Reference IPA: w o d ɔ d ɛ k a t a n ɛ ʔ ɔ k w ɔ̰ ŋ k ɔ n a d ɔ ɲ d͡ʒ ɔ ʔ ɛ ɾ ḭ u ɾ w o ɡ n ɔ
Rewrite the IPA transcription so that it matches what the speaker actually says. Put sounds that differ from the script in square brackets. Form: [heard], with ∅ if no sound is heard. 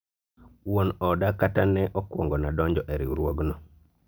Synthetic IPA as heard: w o [n] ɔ d [a] k a t a n ɛ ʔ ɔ k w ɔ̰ ŋ [ɡ] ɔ n a d ɔ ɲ d͡ʒ ɔ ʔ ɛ ɾ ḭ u ɾ w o ɡ n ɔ

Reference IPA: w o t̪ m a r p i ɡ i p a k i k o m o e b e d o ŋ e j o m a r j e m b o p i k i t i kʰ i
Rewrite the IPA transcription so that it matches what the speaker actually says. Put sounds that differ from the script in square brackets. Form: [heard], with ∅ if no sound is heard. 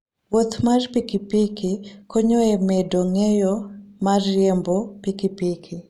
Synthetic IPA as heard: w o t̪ m a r p i [k] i p [i] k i k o [ɲ] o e [m] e d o ŋ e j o m a r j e m b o p i k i [p] i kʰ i

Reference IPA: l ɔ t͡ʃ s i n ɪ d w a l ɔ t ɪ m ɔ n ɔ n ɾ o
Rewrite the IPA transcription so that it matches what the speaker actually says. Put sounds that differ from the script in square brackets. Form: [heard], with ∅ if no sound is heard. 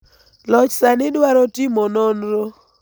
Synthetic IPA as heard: l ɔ t͡ʃ s [a] n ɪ d w a [ɾ] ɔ t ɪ m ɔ n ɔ n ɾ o

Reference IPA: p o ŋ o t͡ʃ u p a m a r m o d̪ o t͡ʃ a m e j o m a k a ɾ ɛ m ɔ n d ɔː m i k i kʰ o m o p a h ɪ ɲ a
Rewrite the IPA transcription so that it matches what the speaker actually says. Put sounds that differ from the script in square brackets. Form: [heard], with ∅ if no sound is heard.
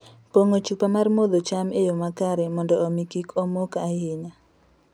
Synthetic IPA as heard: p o ŋ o t͡ʃ u p a m a r m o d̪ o t͡ʃ a m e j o m a k a ɾ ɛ m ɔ n d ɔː m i k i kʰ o m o [k] a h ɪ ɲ a

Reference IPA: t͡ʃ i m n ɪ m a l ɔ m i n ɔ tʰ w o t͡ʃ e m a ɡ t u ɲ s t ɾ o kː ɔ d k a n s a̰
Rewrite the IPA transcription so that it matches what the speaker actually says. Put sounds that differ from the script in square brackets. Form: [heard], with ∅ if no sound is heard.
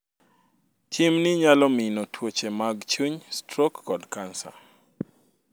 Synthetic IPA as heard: t͡ʃ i m n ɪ [ɲ] a l ɔ m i n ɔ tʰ w o t͡ʃ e m a ɡ [t͡ʃ] u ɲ s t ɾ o kː ɔ d k a n s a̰

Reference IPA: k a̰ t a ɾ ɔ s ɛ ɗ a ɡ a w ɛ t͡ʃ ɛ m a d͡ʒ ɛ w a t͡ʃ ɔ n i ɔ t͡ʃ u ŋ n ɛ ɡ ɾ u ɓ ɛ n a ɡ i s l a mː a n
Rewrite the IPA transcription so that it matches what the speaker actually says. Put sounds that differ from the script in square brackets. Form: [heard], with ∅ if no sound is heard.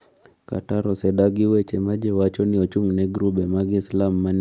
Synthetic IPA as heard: k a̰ t a ɾ ɔ s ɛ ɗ a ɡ [i] w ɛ t͡ʃ ɛ m a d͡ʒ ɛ w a t͡ʃ ɔ n i ɔ t͡ʃ u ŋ n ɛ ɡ ɾ u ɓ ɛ [m] a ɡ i s l a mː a n

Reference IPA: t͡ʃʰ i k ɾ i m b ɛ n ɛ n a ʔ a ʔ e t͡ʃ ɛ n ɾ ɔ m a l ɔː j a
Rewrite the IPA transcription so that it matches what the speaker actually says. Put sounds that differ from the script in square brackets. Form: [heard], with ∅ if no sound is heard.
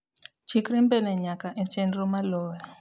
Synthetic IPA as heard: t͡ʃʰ i k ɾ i m b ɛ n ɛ [ɲ] a [k] a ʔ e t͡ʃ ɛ n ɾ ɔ m a l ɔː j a

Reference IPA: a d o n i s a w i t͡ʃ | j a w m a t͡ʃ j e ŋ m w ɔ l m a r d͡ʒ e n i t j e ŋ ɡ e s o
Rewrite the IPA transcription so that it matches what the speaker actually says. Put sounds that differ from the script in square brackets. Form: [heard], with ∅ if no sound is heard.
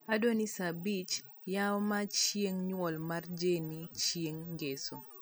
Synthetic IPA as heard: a d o n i s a [b] i t͡ʃ | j a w m a t͡ʃ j e ŋ [ɲ] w ɔ l m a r d͡ʒ e n i [t͡ʃ] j e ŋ ɡ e s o

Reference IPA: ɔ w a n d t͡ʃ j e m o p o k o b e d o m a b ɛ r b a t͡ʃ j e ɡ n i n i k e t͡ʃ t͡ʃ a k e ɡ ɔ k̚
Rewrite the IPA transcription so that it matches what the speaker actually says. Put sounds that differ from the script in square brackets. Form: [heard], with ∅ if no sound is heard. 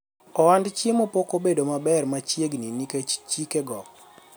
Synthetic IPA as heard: ɔ w a n d t͡ʃ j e m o p o k o b e d o m a b ɛ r [m] a t͡ʃ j e ɡ n i n i k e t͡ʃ t͡ʃ [i] k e ɡ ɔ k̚

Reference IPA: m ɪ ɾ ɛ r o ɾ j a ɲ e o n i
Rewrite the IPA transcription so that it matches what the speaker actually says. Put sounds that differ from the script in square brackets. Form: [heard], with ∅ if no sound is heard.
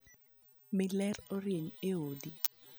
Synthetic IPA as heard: m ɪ [l] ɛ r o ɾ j [e] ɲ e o [d] i

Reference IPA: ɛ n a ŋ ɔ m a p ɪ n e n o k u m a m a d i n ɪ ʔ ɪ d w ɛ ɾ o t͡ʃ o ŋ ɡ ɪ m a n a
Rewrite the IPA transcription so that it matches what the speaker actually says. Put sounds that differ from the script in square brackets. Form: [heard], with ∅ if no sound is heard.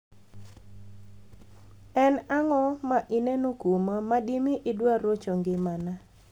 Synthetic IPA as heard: ɛ n a ŋ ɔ m a [ʔ] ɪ n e n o k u m a m a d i [m] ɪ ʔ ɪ d w [a] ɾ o t͡ʃ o ŋ ɡ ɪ m a n a

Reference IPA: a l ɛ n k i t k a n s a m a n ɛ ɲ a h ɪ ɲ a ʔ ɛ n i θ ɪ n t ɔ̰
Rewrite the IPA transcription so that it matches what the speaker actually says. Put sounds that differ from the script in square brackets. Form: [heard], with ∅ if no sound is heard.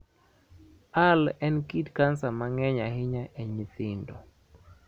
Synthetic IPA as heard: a l ɛ n k i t k a n s a m a [ŋ] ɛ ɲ a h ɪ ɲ a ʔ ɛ [ɲ] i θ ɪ n [d] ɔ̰

